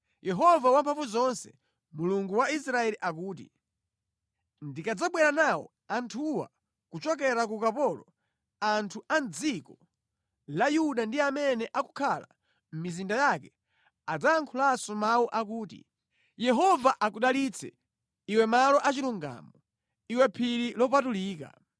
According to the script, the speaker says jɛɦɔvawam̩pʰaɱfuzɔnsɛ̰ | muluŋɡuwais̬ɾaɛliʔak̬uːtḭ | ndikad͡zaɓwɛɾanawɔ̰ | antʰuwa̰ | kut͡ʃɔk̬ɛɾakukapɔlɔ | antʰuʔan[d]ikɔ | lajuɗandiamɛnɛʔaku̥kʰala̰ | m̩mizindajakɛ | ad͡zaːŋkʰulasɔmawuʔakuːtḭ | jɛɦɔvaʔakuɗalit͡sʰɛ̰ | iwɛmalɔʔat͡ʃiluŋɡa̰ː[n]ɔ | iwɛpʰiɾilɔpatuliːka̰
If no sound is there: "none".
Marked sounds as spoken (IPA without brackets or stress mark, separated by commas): d͡z, m